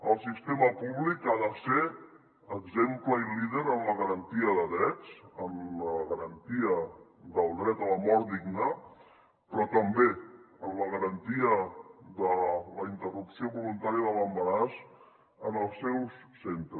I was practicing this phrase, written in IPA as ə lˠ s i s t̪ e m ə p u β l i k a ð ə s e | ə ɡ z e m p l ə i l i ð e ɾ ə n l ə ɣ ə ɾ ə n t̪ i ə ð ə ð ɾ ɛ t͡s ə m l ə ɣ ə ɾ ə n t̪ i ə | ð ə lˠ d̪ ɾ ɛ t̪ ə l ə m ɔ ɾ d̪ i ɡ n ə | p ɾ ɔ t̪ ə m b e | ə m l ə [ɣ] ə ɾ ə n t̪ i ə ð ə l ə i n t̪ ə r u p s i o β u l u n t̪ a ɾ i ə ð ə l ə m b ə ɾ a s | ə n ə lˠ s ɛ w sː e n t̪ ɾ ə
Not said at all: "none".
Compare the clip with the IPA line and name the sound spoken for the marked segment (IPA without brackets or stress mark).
ɣ